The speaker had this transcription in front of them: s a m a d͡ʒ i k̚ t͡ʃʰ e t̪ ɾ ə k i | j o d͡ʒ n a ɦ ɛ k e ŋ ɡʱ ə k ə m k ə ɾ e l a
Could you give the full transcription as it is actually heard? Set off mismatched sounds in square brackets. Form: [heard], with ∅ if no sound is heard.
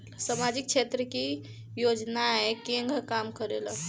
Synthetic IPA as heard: s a m a d͡ʒ i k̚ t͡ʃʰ e t̪ ɾ ə k i | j o d͡ʒ n a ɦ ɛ k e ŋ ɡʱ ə k [a] m k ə ɾ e l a